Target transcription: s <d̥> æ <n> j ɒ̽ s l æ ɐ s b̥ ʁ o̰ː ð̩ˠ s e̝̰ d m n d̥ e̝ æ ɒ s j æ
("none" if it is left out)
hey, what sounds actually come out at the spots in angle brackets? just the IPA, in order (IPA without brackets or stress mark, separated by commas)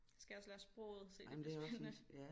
ɡ̥, none